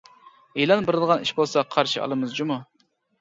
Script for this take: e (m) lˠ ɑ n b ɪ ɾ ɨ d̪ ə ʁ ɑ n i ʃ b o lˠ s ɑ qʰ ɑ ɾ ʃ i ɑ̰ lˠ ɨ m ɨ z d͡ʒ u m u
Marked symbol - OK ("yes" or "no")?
no